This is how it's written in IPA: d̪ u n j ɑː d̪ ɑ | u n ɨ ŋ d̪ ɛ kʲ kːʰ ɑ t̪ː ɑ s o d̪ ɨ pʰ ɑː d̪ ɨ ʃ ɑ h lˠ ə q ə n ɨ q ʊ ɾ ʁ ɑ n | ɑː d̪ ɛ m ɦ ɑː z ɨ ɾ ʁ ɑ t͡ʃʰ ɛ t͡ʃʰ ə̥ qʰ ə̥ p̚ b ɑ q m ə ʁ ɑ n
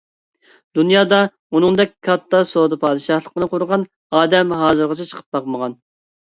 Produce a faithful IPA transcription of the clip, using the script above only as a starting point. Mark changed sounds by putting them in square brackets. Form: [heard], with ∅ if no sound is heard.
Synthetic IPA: d̪ u n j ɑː d̪ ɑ | u n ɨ ŋ d̪ ɛ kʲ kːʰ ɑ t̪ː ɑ s o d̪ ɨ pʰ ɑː d̪ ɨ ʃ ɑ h lˠ ə q ə n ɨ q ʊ ɾ ʁ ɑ n | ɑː d̪ ɛ m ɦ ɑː z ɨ ɾ ʁ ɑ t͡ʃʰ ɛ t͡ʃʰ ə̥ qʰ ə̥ p̚ b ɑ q m ə ʁ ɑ n